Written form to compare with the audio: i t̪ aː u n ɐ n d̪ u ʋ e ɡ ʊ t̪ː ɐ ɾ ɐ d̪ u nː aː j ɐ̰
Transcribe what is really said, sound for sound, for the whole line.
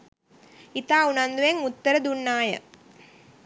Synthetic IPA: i t̪ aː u n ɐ n d̪ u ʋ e ŋ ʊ t̪ː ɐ ɾ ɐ d̪ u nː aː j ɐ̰